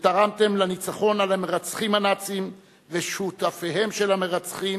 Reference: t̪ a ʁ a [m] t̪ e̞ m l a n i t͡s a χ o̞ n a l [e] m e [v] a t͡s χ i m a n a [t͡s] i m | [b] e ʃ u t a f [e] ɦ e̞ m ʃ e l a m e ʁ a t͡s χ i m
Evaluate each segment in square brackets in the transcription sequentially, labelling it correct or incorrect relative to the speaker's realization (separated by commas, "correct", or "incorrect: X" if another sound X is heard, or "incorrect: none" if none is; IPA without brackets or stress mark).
correct, incorrect: a, incorrect: ʁ, correct, incorrect: v, correct